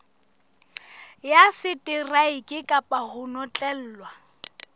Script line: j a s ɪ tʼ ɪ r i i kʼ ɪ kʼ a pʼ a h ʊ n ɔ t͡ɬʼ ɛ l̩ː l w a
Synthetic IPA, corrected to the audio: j a s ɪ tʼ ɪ r a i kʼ ɪ kʼ a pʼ a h ʊ n ɔ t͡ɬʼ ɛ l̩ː l w a